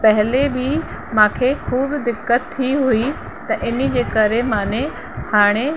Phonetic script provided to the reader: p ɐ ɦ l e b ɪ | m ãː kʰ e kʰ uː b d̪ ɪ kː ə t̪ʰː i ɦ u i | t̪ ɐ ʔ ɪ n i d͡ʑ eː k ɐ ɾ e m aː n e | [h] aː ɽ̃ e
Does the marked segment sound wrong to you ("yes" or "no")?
no